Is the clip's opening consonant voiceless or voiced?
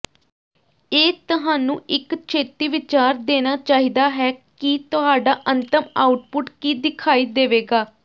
voiceless